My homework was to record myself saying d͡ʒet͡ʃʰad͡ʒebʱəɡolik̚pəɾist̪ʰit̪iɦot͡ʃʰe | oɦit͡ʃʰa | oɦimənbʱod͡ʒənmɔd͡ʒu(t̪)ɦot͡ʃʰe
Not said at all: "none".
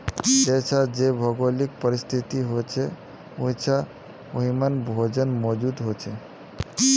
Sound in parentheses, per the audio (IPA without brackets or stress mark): d̪